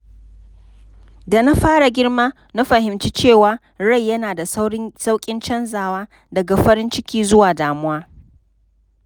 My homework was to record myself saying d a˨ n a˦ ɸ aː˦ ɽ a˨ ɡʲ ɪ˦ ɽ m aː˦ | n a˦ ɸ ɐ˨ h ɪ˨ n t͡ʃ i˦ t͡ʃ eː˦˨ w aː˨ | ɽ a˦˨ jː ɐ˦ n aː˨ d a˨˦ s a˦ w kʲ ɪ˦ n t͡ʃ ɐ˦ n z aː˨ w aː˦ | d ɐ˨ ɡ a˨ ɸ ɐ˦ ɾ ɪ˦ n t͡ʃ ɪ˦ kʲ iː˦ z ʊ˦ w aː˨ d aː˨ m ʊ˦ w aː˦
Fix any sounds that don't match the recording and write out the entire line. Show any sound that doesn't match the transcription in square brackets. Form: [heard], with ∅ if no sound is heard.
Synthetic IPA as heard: d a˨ n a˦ ɸ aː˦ ɽ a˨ ɡʲ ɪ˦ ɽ m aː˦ | n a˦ ɸ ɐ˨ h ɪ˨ [m] t͡ʃ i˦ t͡ʃ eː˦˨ w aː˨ | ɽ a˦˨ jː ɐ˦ n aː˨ d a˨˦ s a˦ w [kʲʼ] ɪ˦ n t͡ʃ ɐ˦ n z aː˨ w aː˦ | d ɐ˨ ɡ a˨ ɸ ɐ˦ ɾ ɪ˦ n t͡ʃ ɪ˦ kʲ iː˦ z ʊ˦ w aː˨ d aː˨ m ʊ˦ w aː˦